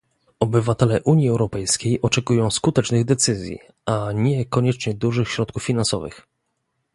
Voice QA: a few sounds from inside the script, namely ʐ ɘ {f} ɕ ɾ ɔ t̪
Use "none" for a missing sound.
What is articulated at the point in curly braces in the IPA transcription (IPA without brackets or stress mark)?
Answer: x